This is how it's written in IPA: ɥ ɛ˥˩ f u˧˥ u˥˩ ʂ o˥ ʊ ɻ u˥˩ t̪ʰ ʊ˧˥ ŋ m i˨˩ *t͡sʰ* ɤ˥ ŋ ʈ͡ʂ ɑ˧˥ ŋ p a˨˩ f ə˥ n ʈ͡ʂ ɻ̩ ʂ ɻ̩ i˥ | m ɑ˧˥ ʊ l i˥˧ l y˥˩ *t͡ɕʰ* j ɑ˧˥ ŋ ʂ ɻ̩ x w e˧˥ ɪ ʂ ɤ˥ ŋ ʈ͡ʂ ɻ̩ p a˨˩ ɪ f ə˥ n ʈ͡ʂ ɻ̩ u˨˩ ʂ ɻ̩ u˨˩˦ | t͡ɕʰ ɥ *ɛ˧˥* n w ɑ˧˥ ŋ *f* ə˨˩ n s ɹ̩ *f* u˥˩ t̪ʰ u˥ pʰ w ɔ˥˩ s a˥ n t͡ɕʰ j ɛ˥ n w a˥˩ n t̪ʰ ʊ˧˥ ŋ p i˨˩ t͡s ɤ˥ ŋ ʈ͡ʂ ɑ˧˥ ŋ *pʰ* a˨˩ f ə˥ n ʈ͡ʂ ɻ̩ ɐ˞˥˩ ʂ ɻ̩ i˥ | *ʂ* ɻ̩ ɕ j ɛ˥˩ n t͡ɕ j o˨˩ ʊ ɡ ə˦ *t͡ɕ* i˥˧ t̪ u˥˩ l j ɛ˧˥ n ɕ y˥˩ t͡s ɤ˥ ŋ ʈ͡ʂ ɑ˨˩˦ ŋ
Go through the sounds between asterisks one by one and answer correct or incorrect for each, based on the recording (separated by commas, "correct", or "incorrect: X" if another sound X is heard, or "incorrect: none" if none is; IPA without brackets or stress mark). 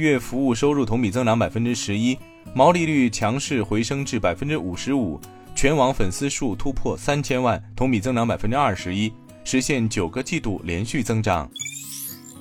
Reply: incorrect: t͡s, correct, correct, correct, incorrect: ʂ, incorrect: p, correct, correct